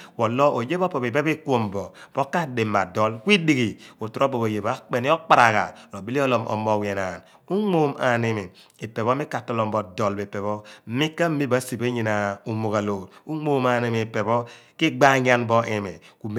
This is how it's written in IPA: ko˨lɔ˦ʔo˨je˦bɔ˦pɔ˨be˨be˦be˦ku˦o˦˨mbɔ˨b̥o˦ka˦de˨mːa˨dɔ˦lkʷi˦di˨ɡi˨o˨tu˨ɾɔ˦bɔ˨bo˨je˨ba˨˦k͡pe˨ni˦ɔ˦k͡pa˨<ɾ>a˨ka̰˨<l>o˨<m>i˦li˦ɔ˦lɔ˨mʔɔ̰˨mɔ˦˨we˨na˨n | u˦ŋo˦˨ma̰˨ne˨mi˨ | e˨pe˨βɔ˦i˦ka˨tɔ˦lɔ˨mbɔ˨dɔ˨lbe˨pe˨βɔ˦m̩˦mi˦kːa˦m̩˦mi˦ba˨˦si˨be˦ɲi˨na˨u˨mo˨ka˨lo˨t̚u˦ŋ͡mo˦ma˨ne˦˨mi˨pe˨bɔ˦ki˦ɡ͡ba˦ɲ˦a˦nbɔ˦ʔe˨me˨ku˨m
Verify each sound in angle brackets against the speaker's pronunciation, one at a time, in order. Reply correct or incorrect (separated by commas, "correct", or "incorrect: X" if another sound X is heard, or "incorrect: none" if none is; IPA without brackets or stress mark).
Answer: correct, correct, incorrect: b